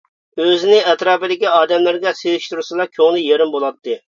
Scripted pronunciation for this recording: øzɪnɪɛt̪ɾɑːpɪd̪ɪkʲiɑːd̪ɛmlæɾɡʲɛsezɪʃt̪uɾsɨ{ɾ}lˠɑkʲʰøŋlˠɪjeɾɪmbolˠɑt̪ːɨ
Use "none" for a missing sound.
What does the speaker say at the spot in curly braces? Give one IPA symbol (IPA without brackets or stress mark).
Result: none